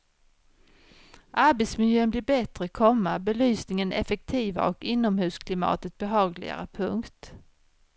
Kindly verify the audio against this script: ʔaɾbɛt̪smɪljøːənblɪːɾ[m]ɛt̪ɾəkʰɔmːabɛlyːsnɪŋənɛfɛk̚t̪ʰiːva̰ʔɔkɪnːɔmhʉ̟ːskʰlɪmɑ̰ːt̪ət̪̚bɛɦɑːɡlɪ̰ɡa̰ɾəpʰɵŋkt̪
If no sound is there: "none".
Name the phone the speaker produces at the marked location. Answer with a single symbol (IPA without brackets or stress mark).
b